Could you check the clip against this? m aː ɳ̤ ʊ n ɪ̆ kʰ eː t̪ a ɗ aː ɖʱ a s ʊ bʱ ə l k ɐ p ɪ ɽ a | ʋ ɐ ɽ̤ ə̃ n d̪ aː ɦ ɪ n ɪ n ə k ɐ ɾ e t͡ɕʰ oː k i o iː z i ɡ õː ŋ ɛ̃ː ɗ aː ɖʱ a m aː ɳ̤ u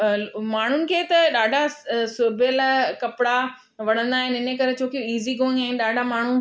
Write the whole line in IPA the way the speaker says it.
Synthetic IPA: m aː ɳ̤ ʊ n ɪ̆ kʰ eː t̪ ɐ ɗ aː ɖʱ a s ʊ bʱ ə l k ɐ p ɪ ɽ a | ʋ ɐ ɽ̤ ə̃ n d̪ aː ɦ ɪ n ɪ n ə k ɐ ɾ e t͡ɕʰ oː k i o iː z i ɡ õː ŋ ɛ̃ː ɗ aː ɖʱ a m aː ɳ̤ u